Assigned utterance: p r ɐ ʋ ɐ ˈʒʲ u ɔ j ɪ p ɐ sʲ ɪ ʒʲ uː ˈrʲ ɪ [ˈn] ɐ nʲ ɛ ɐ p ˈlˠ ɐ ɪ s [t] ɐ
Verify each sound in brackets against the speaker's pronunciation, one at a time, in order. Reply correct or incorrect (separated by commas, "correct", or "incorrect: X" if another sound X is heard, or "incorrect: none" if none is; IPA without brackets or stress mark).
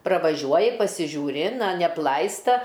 correct, correct